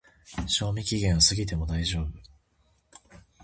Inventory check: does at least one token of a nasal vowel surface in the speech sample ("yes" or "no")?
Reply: yes